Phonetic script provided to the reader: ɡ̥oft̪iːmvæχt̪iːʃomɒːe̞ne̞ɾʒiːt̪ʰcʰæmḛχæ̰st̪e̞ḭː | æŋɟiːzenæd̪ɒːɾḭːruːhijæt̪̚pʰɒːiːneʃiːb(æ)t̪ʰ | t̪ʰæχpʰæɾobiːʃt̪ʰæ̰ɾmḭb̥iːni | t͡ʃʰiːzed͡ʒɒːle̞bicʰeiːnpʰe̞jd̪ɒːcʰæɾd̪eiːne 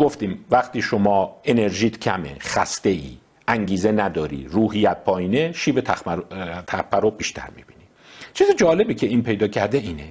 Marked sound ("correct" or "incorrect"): incorrect